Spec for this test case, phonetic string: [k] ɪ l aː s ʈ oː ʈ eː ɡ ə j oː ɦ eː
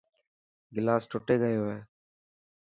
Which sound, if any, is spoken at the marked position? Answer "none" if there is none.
ɡ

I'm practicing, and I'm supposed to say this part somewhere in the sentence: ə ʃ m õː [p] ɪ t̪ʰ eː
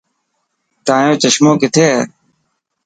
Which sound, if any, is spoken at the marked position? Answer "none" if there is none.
k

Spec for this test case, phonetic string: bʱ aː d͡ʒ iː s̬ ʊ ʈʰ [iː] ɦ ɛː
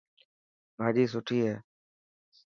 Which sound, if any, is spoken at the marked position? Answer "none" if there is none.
iː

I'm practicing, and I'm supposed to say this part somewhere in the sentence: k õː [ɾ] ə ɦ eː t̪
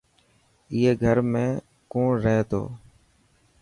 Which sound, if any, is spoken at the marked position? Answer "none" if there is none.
ɾ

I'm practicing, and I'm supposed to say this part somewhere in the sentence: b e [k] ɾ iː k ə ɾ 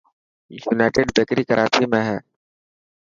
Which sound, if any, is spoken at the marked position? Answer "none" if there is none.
k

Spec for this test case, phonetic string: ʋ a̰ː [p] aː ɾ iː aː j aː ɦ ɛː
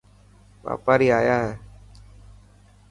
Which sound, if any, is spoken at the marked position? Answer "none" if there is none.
p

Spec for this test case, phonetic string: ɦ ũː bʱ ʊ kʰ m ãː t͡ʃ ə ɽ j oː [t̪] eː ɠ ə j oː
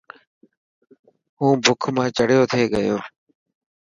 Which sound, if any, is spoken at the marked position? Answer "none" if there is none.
t̪ʰ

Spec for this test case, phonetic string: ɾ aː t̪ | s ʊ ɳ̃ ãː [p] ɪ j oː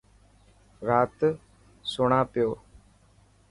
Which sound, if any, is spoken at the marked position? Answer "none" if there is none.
p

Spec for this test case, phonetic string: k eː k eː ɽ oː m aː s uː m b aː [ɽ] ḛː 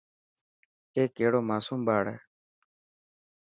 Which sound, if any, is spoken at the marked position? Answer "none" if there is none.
ɽ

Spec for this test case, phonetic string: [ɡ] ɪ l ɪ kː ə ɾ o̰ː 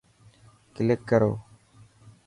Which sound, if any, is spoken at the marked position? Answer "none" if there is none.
k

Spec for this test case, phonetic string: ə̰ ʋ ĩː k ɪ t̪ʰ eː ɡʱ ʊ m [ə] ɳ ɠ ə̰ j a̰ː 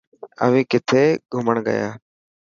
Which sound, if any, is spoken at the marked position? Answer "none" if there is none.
ə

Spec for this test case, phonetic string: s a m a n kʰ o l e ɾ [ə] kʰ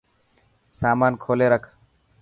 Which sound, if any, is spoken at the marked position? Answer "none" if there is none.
a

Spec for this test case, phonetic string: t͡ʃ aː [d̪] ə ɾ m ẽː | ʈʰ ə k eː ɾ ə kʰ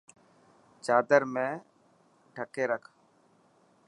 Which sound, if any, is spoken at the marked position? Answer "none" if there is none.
d̪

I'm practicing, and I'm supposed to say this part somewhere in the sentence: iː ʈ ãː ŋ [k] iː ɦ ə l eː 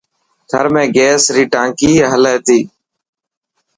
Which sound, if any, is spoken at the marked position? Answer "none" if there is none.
k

